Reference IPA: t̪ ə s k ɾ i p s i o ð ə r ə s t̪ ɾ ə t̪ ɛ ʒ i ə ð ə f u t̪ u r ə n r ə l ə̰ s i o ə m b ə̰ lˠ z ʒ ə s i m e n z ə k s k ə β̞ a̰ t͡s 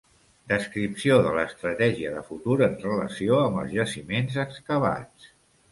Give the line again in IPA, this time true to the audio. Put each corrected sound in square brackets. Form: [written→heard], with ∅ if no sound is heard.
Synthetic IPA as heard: [t̪→d̪] ə s k ɾ i p s i o ð ə [r→l] ə s t̪ ɾ ə t̪ ɛ ʒ i ə ð ə f u t̪ u [r→ɾ] ə n r ə l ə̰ s i o ə m b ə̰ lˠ z ʒ ə s i m e n z ə k s k ə β̞ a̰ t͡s